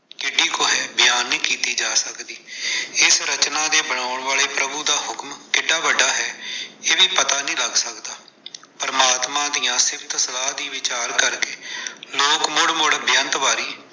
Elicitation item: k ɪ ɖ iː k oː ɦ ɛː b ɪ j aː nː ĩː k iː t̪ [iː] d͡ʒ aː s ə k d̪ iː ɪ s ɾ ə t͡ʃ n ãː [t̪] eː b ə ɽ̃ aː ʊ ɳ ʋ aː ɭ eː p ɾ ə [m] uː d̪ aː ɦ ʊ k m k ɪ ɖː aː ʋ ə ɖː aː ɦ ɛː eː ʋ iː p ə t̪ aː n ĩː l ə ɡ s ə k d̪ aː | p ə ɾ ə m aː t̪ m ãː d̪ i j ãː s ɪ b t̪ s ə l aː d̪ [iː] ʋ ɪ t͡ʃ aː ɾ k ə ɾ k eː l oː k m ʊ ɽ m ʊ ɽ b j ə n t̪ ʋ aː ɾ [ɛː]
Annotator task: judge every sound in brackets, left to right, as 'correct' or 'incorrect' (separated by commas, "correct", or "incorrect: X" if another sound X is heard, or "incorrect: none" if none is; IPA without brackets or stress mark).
correct, incorrect: d̪, incorrect: b, correct, incorrect: iː